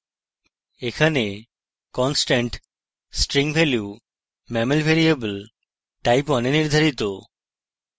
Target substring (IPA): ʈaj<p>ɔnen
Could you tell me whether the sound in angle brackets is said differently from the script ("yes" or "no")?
no